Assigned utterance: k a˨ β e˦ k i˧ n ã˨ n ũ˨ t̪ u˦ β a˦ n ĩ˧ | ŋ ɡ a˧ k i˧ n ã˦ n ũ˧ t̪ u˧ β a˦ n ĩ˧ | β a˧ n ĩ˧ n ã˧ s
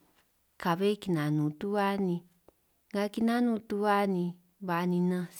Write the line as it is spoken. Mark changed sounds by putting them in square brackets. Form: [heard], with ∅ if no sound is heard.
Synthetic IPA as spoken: k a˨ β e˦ k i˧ n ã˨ n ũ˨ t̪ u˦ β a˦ n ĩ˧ | ŋ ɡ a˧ k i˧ n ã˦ n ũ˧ t̪ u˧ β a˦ n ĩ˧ | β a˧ n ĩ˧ n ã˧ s